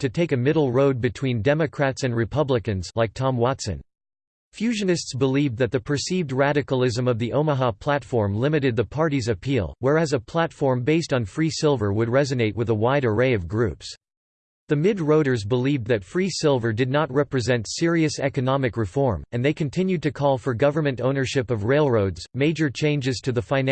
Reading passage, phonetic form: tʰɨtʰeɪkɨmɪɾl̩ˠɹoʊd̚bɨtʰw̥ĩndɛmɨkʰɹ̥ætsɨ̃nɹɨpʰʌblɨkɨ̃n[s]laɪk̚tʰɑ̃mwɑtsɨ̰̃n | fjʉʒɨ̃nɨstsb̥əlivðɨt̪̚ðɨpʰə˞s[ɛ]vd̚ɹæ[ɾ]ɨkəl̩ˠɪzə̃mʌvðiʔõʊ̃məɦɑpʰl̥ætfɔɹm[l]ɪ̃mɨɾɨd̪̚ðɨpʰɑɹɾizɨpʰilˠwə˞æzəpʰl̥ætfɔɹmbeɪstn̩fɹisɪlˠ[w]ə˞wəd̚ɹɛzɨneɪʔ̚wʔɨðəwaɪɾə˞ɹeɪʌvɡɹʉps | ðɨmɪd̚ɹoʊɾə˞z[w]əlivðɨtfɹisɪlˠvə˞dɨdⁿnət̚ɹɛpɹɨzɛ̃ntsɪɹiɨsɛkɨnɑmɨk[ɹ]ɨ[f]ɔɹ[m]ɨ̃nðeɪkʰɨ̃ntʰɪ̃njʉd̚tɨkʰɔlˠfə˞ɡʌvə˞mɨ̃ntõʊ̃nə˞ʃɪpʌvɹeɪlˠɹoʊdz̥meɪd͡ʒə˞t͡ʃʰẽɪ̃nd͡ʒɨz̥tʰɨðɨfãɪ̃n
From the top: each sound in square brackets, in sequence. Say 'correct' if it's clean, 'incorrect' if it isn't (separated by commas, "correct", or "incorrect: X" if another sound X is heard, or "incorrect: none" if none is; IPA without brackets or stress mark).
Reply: incorrect: z, incorrect: i, correct, correct, incorrect: v, incorrect: b, correct, correct, correct